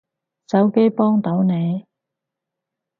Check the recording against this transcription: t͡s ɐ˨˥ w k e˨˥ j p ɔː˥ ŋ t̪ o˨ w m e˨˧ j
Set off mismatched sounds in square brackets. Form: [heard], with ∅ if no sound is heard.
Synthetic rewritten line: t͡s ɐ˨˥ w k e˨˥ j p ɔː˥ ŋ t̪ [o˨˥] w [n] e˨˧ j

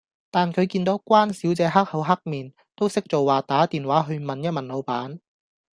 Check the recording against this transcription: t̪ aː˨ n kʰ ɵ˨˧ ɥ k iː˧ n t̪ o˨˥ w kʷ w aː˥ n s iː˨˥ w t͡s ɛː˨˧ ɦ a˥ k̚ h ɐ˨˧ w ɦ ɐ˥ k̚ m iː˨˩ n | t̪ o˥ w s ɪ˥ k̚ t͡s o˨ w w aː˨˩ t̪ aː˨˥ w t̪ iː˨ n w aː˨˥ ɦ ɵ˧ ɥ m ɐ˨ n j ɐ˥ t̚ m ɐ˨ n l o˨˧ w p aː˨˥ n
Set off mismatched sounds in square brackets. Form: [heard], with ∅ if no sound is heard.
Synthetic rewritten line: t̪ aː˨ n kʰ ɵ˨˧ ɥ k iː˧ n t̪ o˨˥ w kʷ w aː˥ n s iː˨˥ w t͡s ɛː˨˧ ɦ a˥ k̚ h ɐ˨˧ w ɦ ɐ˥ k̚ m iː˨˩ n | t̪ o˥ w s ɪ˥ k̚ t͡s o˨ w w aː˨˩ t̪ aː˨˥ [∅] t̪ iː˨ n w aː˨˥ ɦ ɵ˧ ɥ m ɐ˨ n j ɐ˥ t̚ m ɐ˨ n l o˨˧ w p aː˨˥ n

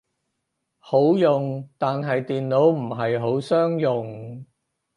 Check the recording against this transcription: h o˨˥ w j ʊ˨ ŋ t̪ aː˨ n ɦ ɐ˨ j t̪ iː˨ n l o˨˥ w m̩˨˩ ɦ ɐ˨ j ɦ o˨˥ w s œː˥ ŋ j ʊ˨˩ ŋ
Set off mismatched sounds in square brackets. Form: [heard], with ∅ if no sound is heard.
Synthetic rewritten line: h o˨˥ w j ʊ˨ ŋ t̪ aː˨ n ɦ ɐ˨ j t̪ iː˨ n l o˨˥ w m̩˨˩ ɦ ɐ˨ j ɦ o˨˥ w s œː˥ ŋ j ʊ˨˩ ŋ

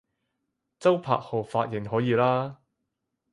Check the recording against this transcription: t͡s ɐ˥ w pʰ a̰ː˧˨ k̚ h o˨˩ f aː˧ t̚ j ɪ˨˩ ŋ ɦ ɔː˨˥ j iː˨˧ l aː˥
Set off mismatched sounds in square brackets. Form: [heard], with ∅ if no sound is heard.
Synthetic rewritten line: t͡s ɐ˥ w pʰ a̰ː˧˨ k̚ h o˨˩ f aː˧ t̚ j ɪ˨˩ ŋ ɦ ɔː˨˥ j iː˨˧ l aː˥

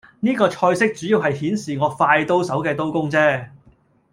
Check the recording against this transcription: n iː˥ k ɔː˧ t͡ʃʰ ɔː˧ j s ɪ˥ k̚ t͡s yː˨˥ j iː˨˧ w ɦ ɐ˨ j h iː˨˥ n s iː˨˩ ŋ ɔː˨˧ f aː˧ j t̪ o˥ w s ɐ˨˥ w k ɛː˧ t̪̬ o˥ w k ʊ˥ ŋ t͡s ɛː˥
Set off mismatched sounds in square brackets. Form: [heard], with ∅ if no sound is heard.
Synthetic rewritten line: n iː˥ k ɔː˧ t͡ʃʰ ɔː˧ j s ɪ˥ k̚ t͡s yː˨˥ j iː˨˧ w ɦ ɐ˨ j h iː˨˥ n s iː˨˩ ŋ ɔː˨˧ f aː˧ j t̪ o˥ w s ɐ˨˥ w k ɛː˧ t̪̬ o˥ w k ʊ˥ ŋ t͡s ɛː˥

